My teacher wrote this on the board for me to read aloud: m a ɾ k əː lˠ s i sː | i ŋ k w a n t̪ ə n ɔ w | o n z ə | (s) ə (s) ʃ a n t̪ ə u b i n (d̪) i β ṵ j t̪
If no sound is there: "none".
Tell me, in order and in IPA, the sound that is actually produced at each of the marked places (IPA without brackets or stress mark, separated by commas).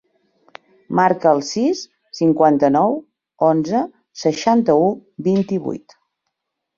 s, none, t̪